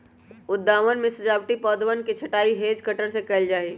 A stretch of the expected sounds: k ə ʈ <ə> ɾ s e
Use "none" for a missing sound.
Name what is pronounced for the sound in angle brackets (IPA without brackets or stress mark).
ə